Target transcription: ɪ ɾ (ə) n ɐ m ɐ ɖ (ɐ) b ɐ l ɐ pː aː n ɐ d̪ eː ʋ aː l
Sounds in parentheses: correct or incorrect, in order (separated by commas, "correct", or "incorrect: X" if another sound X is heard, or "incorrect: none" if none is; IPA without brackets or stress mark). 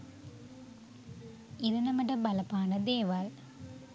incorrect: ɐ, correct